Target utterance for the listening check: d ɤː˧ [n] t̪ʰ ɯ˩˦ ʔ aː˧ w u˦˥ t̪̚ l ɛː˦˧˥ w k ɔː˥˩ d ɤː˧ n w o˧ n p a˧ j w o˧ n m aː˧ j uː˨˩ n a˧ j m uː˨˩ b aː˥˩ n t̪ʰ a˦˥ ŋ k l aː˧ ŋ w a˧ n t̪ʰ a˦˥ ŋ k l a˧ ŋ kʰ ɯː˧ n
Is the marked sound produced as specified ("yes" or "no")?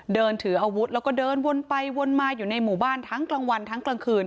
yes